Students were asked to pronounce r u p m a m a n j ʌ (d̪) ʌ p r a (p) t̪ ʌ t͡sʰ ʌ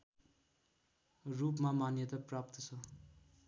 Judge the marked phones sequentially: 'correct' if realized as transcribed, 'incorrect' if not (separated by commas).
incorrect, correct